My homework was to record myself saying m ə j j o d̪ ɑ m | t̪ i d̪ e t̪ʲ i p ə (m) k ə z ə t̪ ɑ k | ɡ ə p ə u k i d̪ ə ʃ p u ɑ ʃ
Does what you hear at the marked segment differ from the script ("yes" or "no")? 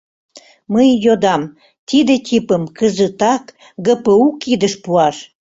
no